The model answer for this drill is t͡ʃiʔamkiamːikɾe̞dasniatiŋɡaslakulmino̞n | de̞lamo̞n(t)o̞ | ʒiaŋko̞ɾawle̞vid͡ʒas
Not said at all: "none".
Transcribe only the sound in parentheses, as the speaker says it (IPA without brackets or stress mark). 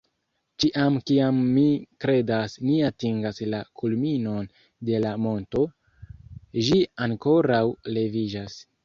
t